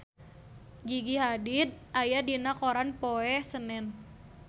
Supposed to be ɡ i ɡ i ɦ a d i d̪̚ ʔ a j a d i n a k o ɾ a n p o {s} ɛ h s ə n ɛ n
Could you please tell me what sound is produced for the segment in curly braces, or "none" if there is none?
none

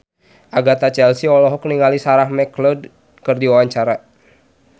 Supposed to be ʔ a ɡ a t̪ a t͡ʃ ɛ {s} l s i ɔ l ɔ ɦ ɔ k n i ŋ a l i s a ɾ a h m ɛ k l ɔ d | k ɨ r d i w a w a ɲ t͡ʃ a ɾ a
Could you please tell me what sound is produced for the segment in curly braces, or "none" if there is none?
none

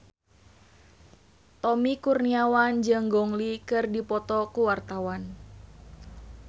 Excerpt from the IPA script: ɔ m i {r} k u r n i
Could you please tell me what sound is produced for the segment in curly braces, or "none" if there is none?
none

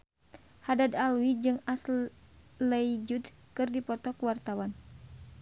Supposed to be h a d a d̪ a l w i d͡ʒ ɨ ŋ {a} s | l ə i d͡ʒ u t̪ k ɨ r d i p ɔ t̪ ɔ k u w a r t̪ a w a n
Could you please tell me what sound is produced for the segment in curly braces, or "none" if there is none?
a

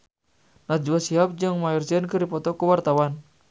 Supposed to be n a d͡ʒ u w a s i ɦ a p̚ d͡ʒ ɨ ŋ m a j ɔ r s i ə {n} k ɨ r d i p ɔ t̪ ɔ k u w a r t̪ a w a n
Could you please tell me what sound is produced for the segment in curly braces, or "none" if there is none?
n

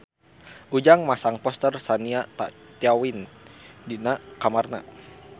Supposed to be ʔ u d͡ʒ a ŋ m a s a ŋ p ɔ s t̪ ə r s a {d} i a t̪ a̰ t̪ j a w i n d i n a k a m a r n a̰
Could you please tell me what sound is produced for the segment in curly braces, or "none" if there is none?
n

